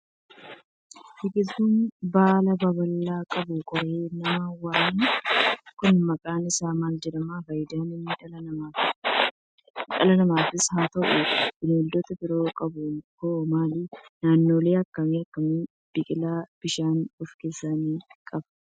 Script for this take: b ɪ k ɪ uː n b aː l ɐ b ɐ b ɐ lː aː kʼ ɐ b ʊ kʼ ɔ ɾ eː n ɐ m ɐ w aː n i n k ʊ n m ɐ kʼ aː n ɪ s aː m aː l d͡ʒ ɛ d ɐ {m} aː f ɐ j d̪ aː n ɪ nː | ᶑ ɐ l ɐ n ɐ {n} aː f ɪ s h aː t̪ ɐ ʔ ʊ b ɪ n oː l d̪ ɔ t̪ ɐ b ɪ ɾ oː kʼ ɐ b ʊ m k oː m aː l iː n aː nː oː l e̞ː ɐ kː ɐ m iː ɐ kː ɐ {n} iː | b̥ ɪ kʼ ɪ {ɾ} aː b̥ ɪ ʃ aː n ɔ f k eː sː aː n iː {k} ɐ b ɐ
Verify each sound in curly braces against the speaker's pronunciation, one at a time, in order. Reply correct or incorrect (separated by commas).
correct, incorrect, incorrect, incorrect, incorrect